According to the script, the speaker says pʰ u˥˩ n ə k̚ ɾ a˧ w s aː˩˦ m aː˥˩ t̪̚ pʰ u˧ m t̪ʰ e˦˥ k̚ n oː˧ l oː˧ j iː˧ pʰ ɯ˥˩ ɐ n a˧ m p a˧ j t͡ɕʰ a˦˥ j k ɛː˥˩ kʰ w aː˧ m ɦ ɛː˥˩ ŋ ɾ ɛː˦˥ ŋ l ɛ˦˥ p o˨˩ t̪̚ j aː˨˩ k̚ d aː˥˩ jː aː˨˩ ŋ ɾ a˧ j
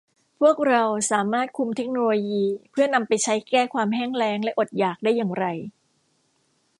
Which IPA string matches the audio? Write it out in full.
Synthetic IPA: pʰ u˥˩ ə k̚ ɾ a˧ w s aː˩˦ m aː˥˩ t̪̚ kʰ u˧ m t̪ʰ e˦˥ k̚ n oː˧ l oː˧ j iː˧ pʰ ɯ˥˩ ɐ n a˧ m p a˧ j t͡ɕʰ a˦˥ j k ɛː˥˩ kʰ w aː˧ m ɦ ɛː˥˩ ŋ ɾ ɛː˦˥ ŋ l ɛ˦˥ ʔ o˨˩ t̪̚ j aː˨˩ k̚ d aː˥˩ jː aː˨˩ ŋ ɾ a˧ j

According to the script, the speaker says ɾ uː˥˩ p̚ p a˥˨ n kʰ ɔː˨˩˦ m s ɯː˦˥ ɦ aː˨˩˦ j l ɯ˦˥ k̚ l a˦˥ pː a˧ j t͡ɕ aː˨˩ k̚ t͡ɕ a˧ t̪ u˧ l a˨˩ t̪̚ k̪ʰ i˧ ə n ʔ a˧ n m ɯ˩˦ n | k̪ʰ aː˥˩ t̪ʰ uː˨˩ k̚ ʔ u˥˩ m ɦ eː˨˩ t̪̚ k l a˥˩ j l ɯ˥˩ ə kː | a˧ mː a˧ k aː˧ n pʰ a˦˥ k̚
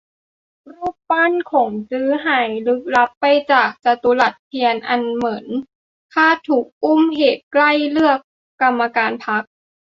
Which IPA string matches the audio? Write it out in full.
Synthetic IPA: ɾ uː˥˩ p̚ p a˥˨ n kʰ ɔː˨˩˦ ŋ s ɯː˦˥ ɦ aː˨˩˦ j l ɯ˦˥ k̚ l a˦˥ pː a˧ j t͡ɕ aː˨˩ k̚ t͡ɕ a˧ t̪ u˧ l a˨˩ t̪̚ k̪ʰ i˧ ə n ʔ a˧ n m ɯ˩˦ n | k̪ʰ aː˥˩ t̪ʰ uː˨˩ k̚ ʔ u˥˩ m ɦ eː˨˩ t̪̚ k l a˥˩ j l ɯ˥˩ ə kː | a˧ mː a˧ k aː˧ n pʰ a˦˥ k̚

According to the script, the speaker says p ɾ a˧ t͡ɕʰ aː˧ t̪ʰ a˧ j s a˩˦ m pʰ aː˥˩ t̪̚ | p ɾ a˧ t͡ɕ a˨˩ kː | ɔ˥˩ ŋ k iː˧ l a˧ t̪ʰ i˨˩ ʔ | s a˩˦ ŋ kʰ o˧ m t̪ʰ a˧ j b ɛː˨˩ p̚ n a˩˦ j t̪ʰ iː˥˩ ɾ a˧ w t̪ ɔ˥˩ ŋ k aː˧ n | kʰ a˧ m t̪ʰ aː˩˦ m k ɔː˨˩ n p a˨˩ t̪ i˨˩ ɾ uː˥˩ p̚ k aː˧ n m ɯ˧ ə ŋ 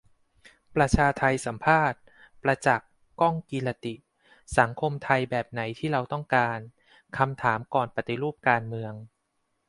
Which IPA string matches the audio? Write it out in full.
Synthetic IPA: p ɾ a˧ t͡ɕʰ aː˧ t̪ʰ a˧ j s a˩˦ m pʰ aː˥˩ t̪̚ | p ɾ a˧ t͡ɕ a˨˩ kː | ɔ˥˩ ŋ k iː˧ l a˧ t̪ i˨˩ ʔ | s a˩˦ ŋ kʰ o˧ m t̪ʰ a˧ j b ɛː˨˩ p̚ n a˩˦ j t̪ʰ iː˥˩ ɾ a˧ w t̪ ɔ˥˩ ŋ k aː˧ n | kʰ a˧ m t̪ʰ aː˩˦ m k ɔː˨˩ n p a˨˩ t̪ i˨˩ ɾ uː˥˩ p̚ k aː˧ n m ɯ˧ ə ŋ

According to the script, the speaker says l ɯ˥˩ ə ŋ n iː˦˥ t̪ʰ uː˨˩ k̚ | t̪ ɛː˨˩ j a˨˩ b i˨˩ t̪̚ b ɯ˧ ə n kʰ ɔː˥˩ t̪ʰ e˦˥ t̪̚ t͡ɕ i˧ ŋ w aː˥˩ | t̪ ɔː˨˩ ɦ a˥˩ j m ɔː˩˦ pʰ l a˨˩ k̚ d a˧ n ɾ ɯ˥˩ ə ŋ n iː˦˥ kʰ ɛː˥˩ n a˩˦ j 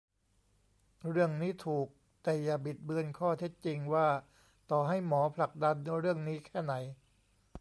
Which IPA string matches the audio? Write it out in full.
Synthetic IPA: ɾ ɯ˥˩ ə ŋ n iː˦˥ t̪ʰ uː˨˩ k̚ | t̪ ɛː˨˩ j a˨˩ b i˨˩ t̪̚ b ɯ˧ ə n kʰ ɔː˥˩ t̪ʰ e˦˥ t̪̚ t͡ɕ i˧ ŋ w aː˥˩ | t̪ ɔː˨˩ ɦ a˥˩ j m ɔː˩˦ pʰ l a˨˩ k̚ d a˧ n ɾ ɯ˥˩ ə ŋ n iː˦˥ kʰ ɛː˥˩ n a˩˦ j

